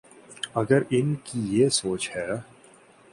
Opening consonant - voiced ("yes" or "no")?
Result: yes